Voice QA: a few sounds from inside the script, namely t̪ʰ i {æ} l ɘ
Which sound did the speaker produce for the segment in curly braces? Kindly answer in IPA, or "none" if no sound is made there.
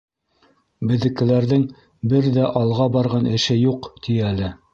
æ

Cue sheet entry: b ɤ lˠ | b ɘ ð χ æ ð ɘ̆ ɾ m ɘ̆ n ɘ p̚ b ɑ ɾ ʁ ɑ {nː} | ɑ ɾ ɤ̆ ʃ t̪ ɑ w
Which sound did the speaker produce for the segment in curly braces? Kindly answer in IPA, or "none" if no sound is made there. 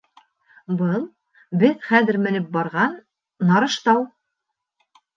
nː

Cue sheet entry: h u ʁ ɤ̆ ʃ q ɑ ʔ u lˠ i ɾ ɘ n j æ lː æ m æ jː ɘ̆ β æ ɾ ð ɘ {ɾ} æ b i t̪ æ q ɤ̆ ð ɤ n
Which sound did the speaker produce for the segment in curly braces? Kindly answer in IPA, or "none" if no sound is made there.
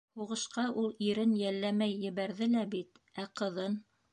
l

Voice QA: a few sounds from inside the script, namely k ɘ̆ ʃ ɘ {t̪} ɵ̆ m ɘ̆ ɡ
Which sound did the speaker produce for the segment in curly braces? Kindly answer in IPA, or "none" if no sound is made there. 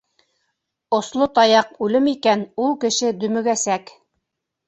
d̪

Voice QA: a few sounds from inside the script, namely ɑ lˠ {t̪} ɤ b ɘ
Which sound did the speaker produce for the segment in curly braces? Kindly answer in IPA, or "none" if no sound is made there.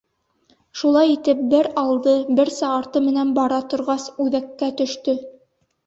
d̪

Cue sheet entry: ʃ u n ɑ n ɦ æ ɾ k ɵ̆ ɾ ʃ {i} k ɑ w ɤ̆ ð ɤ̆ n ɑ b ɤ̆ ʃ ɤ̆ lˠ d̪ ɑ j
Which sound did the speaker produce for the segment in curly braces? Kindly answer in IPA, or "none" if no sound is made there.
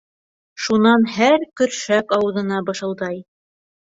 æ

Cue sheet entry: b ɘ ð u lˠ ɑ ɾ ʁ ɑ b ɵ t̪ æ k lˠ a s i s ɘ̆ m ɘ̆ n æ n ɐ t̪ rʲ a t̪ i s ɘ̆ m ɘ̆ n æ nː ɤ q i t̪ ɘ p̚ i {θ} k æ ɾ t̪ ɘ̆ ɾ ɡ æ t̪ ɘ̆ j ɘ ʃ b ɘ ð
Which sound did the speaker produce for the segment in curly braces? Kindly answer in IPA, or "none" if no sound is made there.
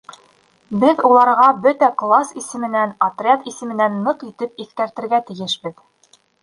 θ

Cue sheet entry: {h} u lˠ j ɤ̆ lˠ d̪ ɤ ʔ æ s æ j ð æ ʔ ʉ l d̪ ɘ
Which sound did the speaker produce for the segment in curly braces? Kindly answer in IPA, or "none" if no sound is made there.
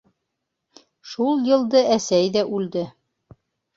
ʃ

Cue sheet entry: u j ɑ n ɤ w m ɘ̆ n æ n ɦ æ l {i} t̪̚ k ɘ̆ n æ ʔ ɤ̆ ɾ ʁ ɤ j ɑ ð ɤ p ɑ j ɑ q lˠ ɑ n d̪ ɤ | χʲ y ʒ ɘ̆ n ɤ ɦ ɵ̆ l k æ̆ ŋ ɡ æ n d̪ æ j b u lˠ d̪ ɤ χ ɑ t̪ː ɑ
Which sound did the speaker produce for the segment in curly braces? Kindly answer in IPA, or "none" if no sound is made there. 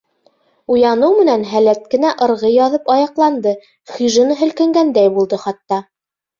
æ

